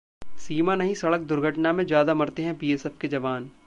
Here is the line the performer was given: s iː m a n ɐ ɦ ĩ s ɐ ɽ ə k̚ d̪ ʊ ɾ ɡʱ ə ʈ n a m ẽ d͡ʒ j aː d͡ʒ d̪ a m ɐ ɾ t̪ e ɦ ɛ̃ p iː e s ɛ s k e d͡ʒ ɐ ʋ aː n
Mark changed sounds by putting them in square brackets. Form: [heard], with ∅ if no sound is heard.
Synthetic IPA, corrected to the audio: s iː m a n ɐ ɦ ĩ s ɐ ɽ ə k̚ d̪ ʊ ɾ ɡʱ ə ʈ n a m ẽ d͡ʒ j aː [∅] d̪ a m ɐ ɾ t̪ e ɦ ɛ̃ p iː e s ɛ [f] k e d͡ʒ ɐ ʋ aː n